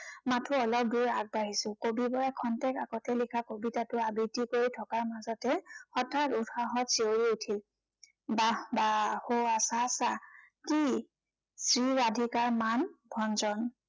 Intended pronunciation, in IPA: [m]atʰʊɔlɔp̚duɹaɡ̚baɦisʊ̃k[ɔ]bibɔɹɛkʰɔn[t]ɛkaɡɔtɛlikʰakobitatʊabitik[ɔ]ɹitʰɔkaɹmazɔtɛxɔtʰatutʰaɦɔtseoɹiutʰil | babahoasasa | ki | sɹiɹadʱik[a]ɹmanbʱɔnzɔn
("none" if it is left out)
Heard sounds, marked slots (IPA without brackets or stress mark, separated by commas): m, o, t, o, a